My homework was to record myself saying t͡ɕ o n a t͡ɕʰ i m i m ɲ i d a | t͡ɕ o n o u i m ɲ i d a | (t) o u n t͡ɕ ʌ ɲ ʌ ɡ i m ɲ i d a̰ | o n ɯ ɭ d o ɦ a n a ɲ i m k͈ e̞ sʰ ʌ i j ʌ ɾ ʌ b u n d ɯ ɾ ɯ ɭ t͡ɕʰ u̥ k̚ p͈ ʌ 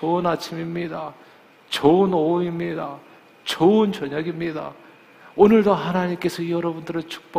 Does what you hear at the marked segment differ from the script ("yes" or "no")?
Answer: yes